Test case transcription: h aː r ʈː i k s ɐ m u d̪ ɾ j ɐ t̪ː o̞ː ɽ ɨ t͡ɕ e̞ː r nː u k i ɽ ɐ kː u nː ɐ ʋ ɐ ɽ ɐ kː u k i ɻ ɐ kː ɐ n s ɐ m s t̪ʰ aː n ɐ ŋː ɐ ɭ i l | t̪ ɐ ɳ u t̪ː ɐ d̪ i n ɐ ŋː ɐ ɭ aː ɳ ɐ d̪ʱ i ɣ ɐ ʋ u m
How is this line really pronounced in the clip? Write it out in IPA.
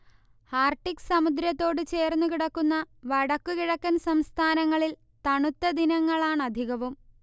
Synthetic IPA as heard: h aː r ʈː i k s ɐ m u d̪ ɾ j ɐ t̪ː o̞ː ɽ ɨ t͡ɕ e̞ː r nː u k i ɽ ɐ kː u nː ɐ ʋ ɐ ɽ ɐ kː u k i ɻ ɐ kː ɐ n s ɐ m s t̪ʰ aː n ɐ ŋː ɐ ɭ i l | t̪ ɐ ɳ u t̪ː ɐ d̪ i n ɐ ŋː ɐ ɭ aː ɳ ɐ d̪ʱ i ɣ ɐ ʋ u m